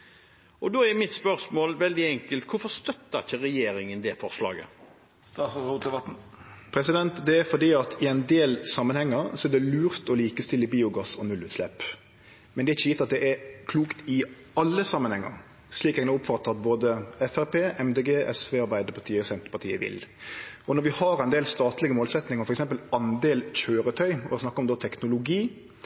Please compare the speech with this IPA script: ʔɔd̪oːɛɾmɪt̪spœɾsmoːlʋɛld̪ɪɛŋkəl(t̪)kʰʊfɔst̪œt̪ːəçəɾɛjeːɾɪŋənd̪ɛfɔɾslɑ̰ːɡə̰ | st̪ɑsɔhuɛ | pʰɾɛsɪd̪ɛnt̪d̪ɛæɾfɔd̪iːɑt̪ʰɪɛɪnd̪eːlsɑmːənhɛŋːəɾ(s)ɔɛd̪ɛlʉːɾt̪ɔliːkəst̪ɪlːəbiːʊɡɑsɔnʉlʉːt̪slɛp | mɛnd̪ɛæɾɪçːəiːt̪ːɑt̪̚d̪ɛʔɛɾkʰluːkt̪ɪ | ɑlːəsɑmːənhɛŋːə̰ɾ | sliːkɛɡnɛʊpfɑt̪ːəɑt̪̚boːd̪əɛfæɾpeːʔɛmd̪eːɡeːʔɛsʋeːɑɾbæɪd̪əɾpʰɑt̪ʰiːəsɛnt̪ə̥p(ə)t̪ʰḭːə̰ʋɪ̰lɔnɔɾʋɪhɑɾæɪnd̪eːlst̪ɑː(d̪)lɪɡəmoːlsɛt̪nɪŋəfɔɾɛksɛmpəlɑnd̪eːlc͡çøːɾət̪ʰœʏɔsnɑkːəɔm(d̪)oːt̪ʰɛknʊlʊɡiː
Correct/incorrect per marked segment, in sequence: correct, correct, incorrect, incorrect, correct

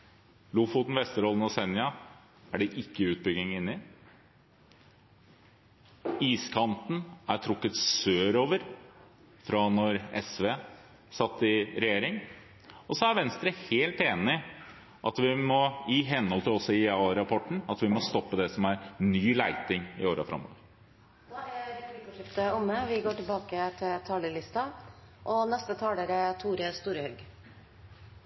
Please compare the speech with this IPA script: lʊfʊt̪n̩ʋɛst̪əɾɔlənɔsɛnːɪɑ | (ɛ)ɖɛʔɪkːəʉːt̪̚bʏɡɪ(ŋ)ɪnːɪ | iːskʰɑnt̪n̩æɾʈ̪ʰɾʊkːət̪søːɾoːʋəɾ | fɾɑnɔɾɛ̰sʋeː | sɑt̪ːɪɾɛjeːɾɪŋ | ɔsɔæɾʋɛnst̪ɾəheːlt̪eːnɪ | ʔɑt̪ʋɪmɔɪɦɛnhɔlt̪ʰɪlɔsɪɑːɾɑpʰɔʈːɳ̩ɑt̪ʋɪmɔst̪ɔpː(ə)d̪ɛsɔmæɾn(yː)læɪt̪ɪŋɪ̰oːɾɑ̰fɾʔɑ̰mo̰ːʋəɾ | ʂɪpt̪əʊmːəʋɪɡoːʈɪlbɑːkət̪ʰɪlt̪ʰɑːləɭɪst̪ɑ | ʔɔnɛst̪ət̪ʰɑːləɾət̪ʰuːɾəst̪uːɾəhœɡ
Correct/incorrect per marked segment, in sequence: incorrect, correct, correct, correct

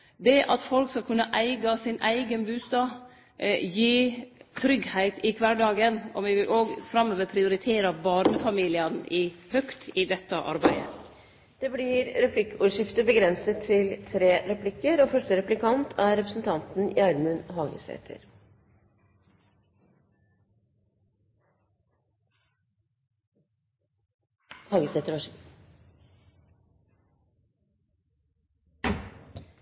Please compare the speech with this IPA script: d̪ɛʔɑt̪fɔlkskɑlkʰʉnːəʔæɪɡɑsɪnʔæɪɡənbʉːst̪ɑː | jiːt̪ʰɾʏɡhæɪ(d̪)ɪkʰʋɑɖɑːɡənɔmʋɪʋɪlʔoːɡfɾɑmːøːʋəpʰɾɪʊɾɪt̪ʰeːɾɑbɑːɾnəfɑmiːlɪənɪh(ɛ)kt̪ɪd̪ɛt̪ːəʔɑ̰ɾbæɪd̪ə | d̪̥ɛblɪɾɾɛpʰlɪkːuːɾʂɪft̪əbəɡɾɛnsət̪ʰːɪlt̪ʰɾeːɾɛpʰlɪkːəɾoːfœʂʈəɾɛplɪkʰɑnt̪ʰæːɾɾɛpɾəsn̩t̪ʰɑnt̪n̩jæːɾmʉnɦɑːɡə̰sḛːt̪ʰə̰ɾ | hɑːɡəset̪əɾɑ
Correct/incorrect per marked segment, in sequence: incorrect, incorrect

